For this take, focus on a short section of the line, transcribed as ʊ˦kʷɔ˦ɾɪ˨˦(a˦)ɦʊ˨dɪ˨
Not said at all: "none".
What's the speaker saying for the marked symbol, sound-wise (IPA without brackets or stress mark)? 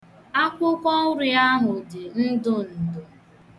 a˦